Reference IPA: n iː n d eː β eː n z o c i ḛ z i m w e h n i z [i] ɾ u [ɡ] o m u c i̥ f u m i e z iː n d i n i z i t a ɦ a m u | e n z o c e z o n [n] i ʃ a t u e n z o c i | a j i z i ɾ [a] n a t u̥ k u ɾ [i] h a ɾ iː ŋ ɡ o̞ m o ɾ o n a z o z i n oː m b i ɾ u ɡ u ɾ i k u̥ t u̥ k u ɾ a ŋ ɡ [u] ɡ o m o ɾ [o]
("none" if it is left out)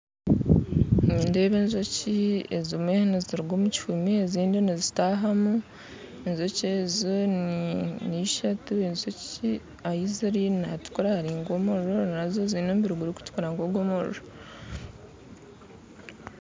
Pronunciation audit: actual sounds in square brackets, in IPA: i, ɡ, n, i, a, o, o

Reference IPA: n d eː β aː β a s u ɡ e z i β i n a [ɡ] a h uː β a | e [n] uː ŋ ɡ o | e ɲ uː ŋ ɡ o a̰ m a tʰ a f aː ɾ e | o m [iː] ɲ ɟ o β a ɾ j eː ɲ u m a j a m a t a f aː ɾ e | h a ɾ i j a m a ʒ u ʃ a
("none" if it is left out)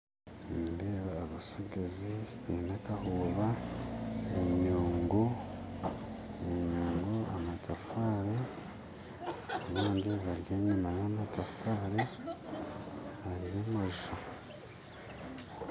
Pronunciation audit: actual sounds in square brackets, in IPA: k, ɲ, aː

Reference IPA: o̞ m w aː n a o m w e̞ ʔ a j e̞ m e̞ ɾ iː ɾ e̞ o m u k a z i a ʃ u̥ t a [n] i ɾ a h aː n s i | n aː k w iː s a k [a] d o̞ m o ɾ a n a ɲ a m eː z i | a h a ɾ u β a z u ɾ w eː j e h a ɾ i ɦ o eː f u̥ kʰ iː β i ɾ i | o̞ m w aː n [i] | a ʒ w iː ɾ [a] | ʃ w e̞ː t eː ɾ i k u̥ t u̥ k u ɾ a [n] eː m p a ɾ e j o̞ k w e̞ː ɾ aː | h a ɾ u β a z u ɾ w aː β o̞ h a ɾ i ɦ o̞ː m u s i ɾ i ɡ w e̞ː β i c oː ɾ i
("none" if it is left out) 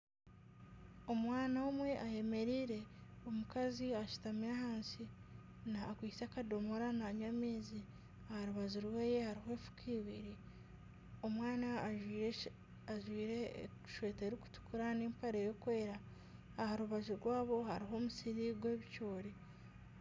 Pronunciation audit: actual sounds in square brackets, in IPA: m, a, a, e, n

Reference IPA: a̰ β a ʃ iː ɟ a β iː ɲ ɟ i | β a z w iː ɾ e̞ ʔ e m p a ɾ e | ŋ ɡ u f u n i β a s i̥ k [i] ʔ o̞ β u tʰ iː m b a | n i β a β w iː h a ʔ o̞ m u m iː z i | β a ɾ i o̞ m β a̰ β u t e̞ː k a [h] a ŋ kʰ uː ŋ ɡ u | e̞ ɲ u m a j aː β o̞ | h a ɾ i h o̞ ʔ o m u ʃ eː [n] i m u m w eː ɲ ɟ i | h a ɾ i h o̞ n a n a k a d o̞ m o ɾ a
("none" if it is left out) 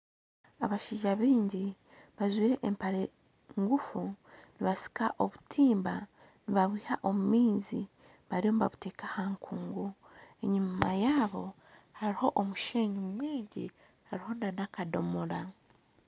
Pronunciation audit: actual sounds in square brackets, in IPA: a, h, ɲ

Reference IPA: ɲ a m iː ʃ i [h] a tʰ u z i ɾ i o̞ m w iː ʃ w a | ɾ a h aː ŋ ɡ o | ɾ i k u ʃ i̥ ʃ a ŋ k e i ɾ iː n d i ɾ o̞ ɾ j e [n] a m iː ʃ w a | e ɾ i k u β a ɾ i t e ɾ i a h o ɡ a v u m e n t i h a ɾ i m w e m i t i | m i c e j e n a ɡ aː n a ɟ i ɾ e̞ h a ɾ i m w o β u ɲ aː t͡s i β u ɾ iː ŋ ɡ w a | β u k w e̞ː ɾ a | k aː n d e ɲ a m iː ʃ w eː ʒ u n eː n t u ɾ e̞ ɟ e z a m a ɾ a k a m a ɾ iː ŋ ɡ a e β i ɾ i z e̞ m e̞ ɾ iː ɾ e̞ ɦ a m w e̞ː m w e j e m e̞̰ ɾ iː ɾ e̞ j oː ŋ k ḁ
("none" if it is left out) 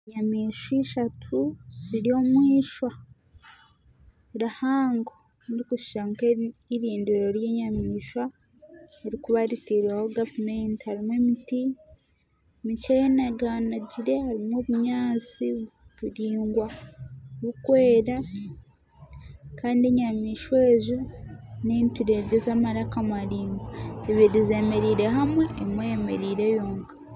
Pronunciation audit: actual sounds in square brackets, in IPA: ʃ, ɲ

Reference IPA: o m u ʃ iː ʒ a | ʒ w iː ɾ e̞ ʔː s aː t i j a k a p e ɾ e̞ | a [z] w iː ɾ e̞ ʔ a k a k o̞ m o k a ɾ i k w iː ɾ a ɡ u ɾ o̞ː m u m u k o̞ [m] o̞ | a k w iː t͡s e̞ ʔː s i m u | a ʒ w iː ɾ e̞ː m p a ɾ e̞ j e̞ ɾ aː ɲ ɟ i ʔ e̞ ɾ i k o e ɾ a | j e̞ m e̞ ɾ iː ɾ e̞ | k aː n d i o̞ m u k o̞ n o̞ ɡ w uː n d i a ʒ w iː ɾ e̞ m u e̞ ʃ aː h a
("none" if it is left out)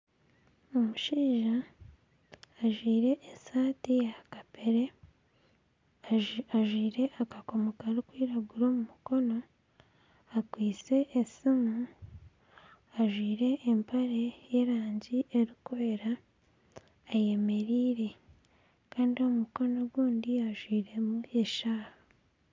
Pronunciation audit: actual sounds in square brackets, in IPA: ʒ, n

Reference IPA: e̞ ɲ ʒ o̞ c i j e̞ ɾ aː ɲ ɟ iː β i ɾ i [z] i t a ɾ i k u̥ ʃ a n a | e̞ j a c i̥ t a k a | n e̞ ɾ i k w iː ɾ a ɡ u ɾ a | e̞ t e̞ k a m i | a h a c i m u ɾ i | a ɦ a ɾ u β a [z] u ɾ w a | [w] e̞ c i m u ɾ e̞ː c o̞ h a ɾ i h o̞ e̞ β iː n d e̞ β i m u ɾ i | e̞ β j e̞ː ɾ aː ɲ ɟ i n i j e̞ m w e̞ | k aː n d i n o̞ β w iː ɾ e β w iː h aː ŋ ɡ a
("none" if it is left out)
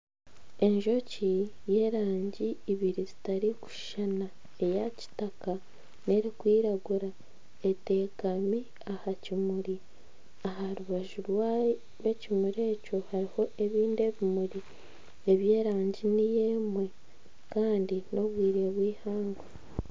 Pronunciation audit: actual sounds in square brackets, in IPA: z, ʒ, w

